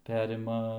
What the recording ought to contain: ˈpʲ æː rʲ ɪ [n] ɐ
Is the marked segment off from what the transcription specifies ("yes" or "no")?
yes